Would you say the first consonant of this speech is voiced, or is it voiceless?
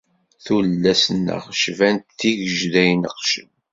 voiceless